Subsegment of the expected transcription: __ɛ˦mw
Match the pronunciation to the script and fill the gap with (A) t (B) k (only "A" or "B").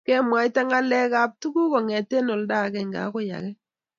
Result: B